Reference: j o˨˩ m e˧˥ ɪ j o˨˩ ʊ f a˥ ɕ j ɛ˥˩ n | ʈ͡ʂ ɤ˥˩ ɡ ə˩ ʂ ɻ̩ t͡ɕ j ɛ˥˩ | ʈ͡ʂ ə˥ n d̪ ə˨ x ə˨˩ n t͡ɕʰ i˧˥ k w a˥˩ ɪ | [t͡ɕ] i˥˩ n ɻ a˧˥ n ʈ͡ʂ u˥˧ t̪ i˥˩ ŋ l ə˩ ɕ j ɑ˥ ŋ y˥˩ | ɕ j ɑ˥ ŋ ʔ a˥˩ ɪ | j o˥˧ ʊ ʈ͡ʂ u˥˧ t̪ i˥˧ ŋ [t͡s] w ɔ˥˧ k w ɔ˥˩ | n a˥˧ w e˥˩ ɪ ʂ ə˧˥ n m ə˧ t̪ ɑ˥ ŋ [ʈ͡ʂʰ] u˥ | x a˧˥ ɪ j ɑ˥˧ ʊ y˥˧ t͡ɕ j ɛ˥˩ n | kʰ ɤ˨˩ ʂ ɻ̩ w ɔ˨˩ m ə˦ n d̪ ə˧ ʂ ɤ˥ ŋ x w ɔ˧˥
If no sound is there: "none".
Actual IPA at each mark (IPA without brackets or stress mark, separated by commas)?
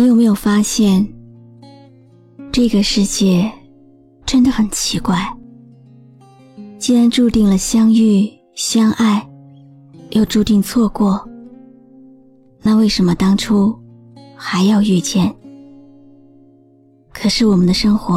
t͡ɕ, t͡sʰ, ʈ͡ʂʰ